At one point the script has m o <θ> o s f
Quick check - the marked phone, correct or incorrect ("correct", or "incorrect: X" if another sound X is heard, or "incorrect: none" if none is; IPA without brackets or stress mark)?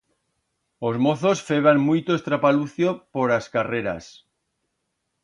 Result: correct